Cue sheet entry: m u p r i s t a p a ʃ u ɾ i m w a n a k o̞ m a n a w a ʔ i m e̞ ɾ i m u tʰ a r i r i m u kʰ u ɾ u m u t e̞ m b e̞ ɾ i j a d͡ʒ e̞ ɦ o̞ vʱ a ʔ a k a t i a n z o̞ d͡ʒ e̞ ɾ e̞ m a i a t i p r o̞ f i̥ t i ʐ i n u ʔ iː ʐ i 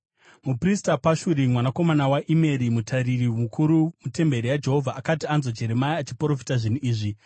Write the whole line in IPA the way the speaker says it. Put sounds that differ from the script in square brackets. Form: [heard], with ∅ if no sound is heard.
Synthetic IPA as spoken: m u p r i s t a p a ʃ u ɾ i m w a n a k o̞ m a n a w a ʔ i m e̞ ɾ i m u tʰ a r i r i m u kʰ u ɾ u m u t e̞ m b e̞ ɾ i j a d͡ʒ e̞ ɦ o̞ vʱ a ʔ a k a t i a n z o̞ d͡ʒ e̞ ɾ e̞ m a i a [t͡ʃ] i p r o̞ f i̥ t [a] ʐ i n u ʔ iː ʐ i